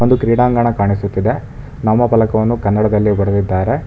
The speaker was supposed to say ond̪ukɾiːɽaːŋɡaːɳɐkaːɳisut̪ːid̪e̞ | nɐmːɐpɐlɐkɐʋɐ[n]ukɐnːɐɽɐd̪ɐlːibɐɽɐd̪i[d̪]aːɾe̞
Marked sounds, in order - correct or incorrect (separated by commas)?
incorrect, incorrect